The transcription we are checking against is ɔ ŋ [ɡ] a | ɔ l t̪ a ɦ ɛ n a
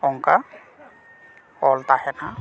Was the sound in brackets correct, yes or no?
no